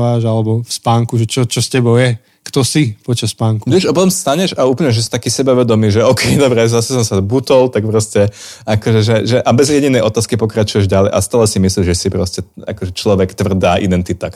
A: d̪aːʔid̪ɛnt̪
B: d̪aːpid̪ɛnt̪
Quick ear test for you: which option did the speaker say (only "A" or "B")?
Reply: A